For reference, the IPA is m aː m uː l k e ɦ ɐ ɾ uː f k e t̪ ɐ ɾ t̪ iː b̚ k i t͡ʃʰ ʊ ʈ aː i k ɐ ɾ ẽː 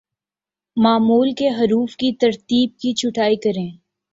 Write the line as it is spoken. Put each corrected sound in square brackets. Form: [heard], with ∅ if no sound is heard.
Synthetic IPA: m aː m uː l k e ɦ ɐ ɾ uː f k [i] t̪ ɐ ɾ t̪ iː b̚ k i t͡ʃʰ ʊ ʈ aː i k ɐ ɾ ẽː